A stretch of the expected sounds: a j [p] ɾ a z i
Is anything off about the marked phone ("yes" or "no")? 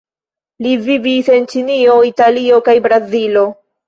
yes